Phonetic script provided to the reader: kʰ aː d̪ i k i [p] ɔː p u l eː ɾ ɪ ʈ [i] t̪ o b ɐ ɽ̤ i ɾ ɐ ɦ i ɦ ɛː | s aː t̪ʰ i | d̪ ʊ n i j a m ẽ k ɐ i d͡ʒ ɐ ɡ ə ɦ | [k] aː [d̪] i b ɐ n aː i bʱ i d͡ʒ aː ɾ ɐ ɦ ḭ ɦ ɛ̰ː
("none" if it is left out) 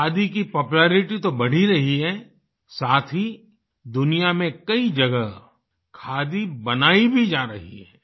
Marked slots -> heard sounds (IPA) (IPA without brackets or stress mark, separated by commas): p, i, kʰ, d̪